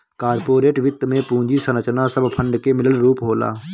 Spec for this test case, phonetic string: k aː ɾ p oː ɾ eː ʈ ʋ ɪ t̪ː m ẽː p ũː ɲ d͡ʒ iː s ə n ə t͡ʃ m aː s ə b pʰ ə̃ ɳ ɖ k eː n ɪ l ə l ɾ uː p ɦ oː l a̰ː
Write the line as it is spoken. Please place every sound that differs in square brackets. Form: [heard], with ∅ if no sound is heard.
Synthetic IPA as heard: k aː ɾ p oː ɾ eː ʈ ʋ ɪ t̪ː m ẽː p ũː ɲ d͡ʒ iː s ə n ə t͡ʃ [n] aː s ə b pʰ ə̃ ɳ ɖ k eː [m] ɪ l ə l ɾ uː p ɦ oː l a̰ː